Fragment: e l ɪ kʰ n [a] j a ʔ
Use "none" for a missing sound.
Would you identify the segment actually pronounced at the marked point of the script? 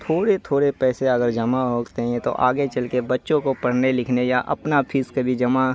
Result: e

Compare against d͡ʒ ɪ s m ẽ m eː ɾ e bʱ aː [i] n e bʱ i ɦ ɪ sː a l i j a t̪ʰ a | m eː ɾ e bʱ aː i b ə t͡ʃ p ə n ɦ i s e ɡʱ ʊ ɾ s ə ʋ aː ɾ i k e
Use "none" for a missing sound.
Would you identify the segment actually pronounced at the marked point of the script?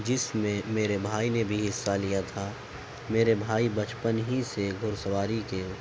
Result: i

